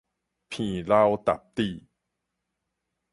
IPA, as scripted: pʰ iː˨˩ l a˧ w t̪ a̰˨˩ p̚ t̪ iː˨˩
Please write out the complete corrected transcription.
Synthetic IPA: pʰ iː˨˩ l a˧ w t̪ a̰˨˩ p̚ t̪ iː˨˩